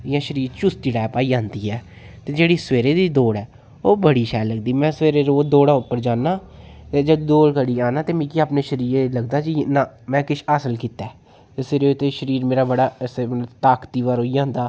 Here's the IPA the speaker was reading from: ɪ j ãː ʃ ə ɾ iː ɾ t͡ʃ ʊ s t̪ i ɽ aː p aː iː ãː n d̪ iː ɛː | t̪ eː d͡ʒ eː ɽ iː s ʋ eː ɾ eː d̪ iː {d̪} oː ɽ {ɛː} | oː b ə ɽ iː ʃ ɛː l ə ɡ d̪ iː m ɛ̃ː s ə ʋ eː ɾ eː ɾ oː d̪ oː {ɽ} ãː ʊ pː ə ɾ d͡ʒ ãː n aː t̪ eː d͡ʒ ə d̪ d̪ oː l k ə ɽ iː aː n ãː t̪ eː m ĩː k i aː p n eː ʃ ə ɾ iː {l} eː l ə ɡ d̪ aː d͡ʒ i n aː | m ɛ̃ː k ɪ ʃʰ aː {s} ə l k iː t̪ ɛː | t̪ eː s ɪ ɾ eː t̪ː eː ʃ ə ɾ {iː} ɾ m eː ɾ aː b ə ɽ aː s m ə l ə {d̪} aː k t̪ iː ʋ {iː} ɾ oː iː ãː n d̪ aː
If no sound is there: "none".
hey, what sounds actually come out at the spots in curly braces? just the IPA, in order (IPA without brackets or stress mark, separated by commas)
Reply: d̪, ɛː, ɽ, ɾ, s, iː, t̪, aː